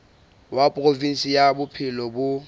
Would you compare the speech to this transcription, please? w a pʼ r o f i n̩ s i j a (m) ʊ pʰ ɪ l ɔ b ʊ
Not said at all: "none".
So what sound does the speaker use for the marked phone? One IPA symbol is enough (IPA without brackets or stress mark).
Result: b